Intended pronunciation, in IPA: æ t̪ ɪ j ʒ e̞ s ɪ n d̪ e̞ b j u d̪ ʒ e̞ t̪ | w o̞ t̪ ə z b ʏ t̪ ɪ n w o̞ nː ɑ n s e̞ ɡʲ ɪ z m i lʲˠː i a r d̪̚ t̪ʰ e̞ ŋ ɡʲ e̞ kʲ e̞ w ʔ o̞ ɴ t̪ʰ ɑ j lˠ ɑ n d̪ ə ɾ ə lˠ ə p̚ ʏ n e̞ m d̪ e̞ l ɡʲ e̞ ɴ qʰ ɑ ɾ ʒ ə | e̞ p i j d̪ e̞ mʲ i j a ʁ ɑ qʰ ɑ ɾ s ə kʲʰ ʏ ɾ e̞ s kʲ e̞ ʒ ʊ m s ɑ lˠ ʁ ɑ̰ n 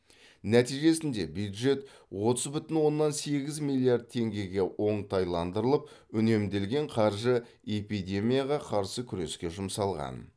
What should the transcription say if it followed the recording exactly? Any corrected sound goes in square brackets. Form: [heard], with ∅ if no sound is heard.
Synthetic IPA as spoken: æ t̪ [i] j ʒ e̞ s ɪ n d̪ e̞ b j u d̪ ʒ e̞ t̪ | w o̞ t̪ ə z b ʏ t̪ ɪ n w o̞ nː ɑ n s e̞ ɡʲ ɪ z m i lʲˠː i a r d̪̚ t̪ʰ e̞ ŋ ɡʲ e̞ [ɡʲ] e̞ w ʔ o̞ ɴ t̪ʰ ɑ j lˠ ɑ n d̪ ə ɾ ə lˠ ə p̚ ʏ n e̞ m d̪ e̞ l ɡʲ e̞ ɴ qʰ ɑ ɾ ʒ ə | e̞ p i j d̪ e̞ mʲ i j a ʁ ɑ qʰ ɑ ɾ s ə kʲʰ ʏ ɾ e̞ s kʲ e̞ ʒ ʊ m s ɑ lˠ ʁ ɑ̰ n